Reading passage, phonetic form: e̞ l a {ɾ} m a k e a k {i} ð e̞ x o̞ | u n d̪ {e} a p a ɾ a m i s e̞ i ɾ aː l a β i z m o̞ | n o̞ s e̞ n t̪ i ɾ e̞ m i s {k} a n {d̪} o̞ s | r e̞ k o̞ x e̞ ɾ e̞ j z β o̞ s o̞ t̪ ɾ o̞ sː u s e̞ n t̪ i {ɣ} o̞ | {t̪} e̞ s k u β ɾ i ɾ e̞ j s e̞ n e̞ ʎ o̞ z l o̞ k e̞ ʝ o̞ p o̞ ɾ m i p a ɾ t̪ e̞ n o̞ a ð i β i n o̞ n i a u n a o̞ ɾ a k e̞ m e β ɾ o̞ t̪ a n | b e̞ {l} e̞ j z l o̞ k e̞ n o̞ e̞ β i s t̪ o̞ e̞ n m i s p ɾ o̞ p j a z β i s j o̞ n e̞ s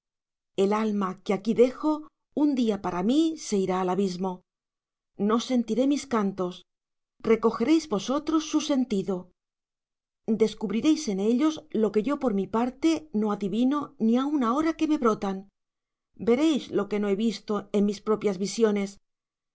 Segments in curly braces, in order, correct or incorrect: incorrect: l, correct, incorrect: i, correct, incorrect: t̪, incorrect: ð, incorrect: d̪, incorrect: ɾ

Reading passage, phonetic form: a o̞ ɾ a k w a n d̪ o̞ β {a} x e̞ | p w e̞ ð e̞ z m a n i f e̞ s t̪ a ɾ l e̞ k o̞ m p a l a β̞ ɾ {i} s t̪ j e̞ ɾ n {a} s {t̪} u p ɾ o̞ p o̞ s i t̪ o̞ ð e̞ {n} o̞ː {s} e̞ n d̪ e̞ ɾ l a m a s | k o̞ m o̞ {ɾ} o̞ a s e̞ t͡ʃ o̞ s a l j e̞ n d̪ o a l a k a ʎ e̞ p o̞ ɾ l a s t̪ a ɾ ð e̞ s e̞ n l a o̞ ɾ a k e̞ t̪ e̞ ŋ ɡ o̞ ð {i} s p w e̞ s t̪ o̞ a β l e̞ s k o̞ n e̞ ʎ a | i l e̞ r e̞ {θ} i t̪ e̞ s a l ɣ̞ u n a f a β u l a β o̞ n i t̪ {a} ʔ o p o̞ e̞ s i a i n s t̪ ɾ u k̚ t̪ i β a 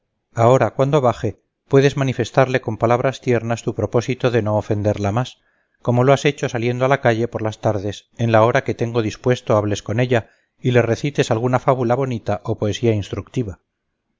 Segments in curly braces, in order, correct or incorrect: correct, incorrect: a, correct, correct, correct, incorrect: f, incorrect: l, correct, correct, correct

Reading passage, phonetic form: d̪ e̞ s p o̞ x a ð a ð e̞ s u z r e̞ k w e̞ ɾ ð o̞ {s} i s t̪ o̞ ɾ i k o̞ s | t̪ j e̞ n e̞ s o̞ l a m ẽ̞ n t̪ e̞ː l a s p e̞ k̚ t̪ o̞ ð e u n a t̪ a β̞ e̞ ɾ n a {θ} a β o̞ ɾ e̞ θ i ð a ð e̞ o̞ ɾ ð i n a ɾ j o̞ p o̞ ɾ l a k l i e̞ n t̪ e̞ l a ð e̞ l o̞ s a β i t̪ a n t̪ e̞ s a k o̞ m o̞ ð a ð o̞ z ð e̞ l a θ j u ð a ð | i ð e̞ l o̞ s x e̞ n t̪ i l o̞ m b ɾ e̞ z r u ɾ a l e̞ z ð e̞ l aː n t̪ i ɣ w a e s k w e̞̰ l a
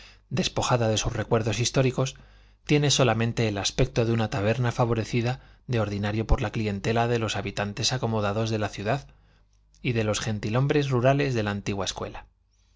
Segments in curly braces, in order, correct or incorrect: correct, incorrect: f

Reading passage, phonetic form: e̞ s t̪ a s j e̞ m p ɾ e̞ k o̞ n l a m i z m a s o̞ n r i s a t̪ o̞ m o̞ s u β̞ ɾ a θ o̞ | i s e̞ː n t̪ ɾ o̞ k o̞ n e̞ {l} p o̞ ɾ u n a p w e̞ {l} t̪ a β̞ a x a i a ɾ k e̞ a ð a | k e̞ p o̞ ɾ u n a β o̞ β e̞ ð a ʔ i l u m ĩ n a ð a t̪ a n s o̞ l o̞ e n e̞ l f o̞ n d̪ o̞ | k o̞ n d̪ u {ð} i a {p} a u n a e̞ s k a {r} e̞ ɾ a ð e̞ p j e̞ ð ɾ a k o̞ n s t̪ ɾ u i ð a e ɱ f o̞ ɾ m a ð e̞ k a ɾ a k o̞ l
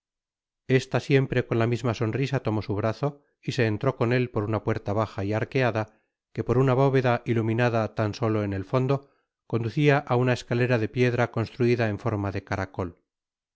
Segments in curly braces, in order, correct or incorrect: correct, incorrect: ɾ, incorrect: θ, incorrect: ʔ, incorrect: l

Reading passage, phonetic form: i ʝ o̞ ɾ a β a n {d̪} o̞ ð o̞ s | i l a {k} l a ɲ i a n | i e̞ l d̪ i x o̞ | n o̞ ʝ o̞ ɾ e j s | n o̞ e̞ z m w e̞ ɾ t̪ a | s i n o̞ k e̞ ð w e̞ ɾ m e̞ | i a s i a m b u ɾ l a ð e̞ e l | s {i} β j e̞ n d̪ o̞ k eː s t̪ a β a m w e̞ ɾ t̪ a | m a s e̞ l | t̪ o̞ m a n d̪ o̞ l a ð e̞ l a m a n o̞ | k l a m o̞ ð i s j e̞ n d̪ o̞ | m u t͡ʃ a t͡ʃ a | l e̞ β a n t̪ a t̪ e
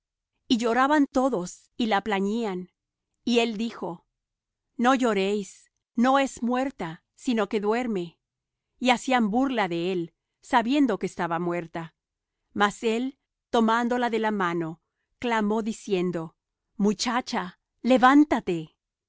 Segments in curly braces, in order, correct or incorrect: incorrect: t̪, incorrect: p, incorrect: a

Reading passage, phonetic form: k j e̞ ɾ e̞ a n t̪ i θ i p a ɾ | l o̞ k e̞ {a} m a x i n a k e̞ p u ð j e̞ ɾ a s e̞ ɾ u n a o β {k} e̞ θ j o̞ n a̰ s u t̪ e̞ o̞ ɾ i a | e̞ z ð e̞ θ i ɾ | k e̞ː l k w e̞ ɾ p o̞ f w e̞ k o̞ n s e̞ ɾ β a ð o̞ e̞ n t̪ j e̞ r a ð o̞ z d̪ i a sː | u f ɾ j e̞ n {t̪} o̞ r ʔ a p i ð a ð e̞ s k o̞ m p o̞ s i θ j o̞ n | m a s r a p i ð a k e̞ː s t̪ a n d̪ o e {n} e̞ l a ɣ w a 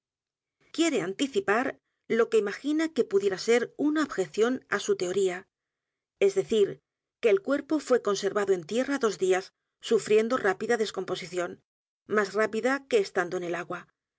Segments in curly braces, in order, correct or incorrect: incorrect: i, incorrect: x, incorrect: d̪, correct

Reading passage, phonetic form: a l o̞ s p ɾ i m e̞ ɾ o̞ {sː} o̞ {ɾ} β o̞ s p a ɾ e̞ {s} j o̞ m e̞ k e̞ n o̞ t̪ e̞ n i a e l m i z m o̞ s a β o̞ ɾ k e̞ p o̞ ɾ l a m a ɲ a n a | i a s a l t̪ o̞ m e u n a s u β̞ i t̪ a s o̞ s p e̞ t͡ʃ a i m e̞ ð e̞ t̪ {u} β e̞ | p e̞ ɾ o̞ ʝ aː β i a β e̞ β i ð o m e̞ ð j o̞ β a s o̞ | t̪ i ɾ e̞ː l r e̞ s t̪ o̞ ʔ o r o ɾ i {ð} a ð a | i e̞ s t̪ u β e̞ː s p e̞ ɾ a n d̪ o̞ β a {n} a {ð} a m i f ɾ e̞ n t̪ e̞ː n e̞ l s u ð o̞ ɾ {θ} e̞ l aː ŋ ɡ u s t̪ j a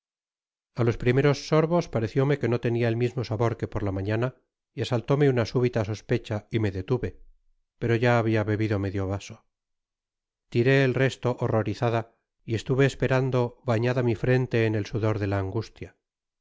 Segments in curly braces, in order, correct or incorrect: correct, correct, incorrect: θ, correct, incorrect: θ, incorrect: ɲ, correct, incorrect: ð

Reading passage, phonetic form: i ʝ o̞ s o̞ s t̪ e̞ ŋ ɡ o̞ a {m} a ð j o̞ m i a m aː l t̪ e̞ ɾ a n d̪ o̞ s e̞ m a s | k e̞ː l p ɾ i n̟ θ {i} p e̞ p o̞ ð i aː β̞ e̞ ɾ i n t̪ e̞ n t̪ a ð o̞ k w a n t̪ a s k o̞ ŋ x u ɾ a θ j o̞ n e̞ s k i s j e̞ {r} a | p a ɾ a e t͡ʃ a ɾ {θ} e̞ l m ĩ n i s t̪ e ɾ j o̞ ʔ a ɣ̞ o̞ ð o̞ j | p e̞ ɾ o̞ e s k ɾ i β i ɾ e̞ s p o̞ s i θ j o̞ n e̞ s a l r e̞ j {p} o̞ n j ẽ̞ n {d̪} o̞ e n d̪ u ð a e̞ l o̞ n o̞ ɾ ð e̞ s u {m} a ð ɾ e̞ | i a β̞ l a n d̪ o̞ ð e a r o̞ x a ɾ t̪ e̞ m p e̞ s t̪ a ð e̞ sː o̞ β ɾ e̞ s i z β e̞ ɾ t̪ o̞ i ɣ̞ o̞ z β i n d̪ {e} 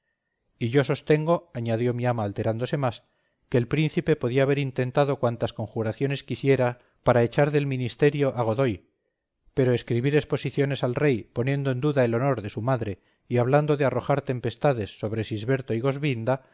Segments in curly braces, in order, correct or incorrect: incorrect: ɲ, correct, incorrect: ɾ, incorrect: ð, correct, correct, correct, incorrect: a

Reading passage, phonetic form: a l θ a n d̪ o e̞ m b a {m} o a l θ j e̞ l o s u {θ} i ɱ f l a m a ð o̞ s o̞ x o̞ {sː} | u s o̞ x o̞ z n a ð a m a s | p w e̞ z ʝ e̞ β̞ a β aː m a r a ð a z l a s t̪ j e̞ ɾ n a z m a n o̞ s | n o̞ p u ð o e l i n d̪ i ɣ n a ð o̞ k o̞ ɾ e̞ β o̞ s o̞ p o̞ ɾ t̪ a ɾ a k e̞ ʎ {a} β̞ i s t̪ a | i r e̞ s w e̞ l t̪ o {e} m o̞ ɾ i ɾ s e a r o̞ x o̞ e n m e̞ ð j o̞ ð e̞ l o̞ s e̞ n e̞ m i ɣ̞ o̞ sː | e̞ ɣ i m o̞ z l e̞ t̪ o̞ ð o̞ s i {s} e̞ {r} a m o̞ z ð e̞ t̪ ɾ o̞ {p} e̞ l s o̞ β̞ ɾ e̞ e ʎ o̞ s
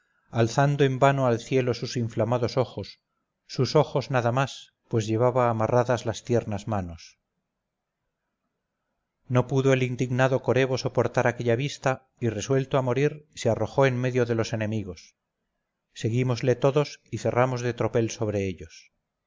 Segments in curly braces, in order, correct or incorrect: incorrect: n, incorrect: s, correct, correct, incorrect: a, incorrect: θ, correct, correct

